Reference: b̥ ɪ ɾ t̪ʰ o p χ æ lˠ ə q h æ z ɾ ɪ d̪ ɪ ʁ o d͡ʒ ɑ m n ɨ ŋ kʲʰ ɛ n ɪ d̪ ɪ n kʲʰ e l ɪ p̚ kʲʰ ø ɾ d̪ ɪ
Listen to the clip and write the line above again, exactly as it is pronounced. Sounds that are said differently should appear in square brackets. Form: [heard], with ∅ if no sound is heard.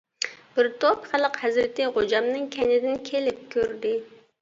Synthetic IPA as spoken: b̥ ɪ ɾ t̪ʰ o p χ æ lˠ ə q h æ z ɾ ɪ [t̪] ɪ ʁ o d͡ʒ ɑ m n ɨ ŋ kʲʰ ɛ n ɪ d̪ ɪ n kʲʰ e l ɪ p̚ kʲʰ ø ɾ d̪ ɪ